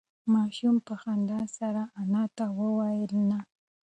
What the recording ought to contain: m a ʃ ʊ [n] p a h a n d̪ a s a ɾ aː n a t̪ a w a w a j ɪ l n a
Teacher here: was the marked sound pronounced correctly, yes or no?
no